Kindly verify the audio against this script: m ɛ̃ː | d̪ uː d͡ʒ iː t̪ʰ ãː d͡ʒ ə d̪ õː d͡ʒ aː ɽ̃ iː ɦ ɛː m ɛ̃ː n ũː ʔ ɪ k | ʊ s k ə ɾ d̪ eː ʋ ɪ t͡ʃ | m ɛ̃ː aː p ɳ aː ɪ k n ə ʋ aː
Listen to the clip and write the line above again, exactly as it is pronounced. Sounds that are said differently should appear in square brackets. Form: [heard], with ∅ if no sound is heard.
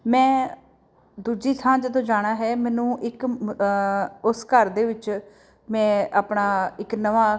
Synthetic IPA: m ɛ̃ː | d̪ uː d͡ʒ iː t̪ʰ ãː d͡ʒ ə d̪ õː d͡ʒ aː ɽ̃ [aː] ɦ ɛː m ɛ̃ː n ũː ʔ ɪ k | ʊ s k ə ɾ d̪ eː ʋ ɪ t͡ʃ | m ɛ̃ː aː p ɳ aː ɪ k n ə ʋ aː

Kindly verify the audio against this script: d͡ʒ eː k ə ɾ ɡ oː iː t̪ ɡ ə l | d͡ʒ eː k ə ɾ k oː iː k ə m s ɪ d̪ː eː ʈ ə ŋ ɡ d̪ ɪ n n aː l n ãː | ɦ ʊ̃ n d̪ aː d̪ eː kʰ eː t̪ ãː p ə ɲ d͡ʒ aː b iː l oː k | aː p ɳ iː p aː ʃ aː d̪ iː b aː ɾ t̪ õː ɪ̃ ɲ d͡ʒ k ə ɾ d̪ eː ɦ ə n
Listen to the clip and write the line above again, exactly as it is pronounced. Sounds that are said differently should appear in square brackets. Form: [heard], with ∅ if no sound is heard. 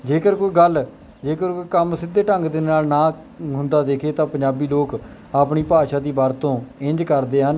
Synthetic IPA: d͡ʒ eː k ə ɾ [k] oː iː [∅] ɡ ə l | d͡ʒ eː k ə ɾ k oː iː k ə m s ɪ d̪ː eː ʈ ə ŋ ɡ d̪ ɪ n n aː l n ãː | ɦ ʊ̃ n d̪ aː d̪ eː kʰ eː t̪ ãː p ə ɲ d͡ʒ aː b iː l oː k | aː p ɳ iː p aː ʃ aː d̪ iː b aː ɾ t̪ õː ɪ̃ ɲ d͡ʒ k ə ɾ d̪ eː ɦ ə n

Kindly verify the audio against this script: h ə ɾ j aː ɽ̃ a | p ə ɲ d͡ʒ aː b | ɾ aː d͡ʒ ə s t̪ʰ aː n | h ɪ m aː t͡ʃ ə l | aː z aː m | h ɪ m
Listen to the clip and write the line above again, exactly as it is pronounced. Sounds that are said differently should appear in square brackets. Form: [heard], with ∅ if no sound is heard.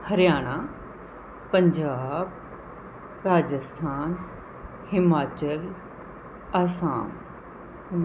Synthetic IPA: h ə ɾ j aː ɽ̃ a | p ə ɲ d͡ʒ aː b | ɾ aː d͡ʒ ə s t̪ʰ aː n | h ɪ m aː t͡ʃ ə l | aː [s] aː m | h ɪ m

